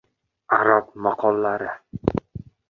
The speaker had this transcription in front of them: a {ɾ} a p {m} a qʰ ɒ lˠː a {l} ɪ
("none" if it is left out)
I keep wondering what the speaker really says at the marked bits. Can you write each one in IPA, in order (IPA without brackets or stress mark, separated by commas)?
ɾ, m, ɾ